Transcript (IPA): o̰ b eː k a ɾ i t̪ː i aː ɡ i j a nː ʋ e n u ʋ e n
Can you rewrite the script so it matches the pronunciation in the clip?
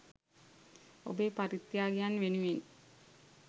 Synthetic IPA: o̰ b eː p a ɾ i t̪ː j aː ɡ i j a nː ʋ e n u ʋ e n